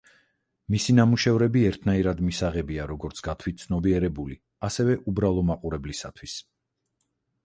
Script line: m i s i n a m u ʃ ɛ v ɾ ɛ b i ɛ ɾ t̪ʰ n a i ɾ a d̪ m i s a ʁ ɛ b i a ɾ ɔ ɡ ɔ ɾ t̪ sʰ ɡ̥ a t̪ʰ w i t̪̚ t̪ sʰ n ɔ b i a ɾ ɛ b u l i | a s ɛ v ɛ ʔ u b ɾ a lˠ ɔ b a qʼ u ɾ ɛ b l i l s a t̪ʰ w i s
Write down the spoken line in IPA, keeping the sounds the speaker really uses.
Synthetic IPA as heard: m i s i n a m u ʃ ɛ v ɾ ɛ b i ɛ ɾ t̪ʰ n a i ɾ a d̪ m i s a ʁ ɛ b i a ɾ ɔ ɡ ɔ ɾ t̪ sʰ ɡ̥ a t̪ʰ w i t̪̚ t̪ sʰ n ɔ b i ɛ ɾ ɛ b u l i | a s ɛ v ɛ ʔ u b ɾ a lˠ ɔ m a qʼ u ɾ ɛ b l i s a t̪ʰ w i s